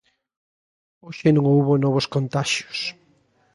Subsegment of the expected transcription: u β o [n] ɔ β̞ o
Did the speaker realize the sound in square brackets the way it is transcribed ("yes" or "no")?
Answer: yes